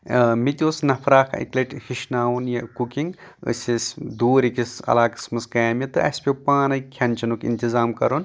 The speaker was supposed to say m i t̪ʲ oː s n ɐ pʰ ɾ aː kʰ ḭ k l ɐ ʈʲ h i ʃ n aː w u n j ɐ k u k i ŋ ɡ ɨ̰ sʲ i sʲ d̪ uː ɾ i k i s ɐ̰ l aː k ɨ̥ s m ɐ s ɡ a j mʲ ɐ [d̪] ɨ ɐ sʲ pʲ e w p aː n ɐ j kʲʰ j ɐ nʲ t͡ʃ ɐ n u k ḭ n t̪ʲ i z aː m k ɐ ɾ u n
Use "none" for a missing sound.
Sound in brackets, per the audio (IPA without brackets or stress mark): t̪